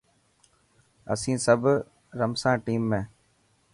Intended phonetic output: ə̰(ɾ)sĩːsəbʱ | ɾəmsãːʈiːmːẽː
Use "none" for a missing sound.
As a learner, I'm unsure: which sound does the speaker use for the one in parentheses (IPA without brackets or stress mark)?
none